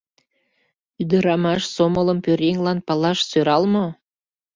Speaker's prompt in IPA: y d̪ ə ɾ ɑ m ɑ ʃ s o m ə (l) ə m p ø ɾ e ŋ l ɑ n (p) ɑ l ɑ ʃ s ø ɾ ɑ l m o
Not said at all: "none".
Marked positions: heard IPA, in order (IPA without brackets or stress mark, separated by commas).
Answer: l, p